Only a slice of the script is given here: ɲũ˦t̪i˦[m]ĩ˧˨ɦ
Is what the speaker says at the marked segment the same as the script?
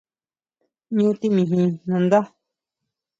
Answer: yes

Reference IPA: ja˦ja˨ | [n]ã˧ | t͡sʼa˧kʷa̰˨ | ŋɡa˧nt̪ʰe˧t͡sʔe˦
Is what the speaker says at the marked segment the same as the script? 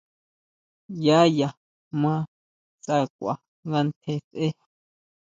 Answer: no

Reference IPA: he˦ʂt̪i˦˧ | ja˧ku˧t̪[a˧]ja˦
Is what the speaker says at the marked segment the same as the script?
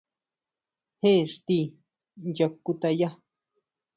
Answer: yes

